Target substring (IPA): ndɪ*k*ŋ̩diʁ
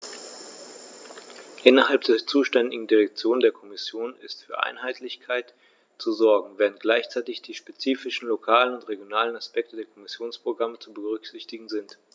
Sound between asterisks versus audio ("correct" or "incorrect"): incorrect